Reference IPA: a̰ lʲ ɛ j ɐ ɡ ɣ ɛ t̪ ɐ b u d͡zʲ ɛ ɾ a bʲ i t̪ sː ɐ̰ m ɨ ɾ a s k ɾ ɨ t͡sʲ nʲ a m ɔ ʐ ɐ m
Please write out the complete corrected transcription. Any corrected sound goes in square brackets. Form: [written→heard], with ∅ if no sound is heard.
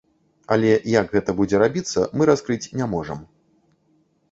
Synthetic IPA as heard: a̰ lʲ ɛ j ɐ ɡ ɣ ɛ t̪ ɐ b u d͡zʲ ɛ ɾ a bʲ i t̪ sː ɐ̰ m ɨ ɾ a s k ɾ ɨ t͡sʲ nʲ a m ɔ ʐ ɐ m